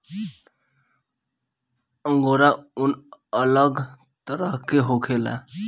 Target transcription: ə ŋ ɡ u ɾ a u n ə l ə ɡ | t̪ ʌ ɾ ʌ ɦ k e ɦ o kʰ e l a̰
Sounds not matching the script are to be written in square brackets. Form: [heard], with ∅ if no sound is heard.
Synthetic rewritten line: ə ŋ ɡ [o] ɾ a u n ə l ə ɡ | t̪ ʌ ɾ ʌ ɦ k e ɦ o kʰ e l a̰